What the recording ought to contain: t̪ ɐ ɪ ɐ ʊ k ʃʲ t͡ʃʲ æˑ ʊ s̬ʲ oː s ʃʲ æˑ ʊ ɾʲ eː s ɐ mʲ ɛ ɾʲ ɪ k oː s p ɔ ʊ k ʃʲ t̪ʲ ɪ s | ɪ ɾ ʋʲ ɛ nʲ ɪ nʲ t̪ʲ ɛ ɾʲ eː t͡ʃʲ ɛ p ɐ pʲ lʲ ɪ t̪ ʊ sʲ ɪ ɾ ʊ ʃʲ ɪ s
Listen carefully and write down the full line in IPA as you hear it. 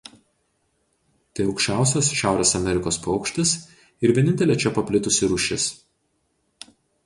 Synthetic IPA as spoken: t̪ ɐ ɪ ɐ ʊ k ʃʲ t͡ʃʲ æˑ ʊ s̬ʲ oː s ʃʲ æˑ ʊ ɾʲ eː s ɐ mʲ ɛ ɾʲ ɪ k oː s p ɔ ʊ k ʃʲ t̪ʲ ɪ s | ɪ ɾ ʋʲ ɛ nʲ ɪ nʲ t̪ʲ ɛ lʲ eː t͡ʃʲ ɛ p ɐ pʲ lʲ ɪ t̪ ʊ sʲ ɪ ɾ ʊ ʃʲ ɪ s

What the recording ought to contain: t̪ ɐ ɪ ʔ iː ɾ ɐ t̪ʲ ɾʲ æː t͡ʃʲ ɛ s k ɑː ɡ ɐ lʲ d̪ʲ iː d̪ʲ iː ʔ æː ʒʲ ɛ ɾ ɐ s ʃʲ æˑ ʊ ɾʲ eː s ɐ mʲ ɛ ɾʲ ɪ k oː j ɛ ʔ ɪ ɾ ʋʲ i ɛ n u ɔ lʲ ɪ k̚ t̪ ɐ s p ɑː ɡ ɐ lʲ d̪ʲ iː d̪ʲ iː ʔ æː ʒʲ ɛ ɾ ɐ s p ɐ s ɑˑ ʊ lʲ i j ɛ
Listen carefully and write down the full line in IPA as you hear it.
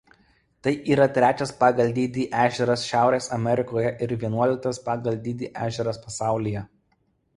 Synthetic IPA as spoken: t̪ ɐ ɪ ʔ iː ɾ ɐ t̪ʲ ɾʲ æː t͡ʃʲ ɛ s p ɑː ɡ ɐ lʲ d̪ʲ iː d̪ʲ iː ʔ æː ʒʲ ɛ ɾ ɐ s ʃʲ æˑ ʊ ɾʲ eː s ɐ mʲ ɛ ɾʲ ɪ k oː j ɛ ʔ ɪ ɾ ʋʲ i ɛ n u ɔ lʲ ɪ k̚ t̪ ɐ s p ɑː ɡ ɐ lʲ d̪ʲ iː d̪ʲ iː ʔ æː ʒʲ ɛ ɾ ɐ s p ɐ s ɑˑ ʊ lʲ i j ɛ

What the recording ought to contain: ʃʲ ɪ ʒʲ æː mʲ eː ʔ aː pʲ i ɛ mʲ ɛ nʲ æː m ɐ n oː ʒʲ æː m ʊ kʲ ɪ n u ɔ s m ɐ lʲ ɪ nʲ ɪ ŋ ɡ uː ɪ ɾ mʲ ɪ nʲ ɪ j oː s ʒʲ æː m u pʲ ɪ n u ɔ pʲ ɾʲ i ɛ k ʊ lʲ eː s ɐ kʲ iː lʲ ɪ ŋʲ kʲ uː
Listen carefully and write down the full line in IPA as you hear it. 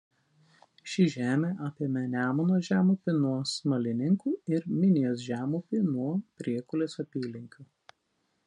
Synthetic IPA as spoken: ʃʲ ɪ ʒʲ æː mʲ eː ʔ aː pʲ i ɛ mʲ ɛ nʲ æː m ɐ n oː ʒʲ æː m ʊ pʲ ɪ n u ɔ s m ɐ lʲ ɪ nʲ ɪ ŋ k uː ɪ ɾ mʲ ɪ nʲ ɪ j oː s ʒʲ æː m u pʲ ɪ n u ɔ pʲ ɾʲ i ɛ k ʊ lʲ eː s ɐ pʲ iː lʲ ɪ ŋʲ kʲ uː

